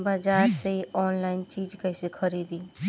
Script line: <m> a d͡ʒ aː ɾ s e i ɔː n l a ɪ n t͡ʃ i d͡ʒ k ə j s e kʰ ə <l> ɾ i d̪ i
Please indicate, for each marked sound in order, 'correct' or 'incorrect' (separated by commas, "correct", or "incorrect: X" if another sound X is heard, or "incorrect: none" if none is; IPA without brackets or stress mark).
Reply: incorrect: b, incorrect: none